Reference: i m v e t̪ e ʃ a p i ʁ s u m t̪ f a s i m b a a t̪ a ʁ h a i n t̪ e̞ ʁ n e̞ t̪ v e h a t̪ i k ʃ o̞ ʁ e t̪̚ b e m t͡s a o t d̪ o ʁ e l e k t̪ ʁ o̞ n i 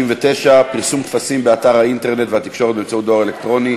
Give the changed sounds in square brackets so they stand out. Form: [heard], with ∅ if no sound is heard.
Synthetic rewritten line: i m v e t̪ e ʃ a p i ʁ s u m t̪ f a s i m b [e] a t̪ a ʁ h a i n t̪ e̞ ʁ n e̞ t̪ v e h a t̪ i k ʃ o̞ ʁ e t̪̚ b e m t͡s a [u] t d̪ o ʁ e l e k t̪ ʁ o̞ n i